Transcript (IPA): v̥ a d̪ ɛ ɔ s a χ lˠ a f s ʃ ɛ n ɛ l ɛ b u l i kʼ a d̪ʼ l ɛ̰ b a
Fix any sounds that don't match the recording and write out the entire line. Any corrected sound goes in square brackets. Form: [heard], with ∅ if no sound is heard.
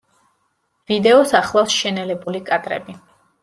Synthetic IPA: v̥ [i] d̪ ɛ ɔ s a χ lˠ a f s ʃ ɛ n ɛ l ɛ b u l i kʼ a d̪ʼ [ɾ] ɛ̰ b [i]